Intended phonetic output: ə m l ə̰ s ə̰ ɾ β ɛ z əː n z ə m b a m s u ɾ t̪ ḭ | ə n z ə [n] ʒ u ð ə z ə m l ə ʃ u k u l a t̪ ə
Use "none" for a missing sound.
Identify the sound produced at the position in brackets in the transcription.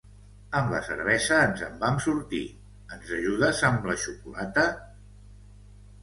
none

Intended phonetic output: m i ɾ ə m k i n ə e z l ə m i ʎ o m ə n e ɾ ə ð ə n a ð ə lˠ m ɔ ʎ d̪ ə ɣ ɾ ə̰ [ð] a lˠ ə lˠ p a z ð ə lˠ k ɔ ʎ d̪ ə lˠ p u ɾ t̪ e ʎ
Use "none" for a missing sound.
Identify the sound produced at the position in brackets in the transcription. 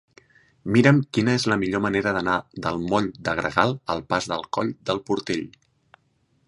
ɣ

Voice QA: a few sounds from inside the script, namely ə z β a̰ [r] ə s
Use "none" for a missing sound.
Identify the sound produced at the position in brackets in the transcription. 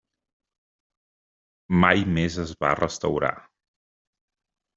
r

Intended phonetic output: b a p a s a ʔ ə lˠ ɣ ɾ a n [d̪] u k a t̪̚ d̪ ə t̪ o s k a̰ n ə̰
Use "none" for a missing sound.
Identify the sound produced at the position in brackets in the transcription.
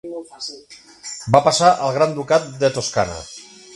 d̪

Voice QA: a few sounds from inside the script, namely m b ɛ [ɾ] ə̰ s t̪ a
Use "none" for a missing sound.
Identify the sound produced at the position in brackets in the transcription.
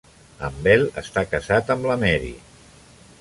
l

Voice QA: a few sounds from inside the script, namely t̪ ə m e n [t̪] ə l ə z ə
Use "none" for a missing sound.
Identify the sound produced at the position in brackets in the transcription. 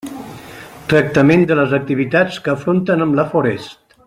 d̪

